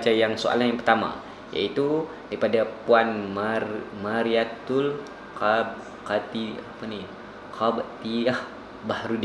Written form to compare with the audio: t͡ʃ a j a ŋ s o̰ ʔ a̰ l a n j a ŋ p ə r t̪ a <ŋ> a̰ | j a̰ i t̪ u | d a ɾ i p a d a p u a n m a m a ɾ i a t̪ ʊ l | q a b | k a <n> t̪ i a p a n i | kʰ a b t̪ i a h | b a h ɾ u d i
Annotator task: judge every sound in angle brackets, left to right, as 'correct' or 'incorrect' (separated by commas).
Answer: incorrect, incorrect